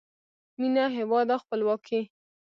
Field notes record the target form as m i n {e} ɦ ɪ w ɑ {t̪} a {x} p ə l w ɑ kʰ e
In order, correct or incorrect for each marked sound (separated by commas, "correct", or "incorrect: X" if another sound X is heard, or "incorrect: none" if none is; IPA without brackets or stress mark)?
incorrect: a, incorrect: d̪, correct